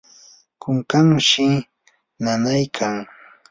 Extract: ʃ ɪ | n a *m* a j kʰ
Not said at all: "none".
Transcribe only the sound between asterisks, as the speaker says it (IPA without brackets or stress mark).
n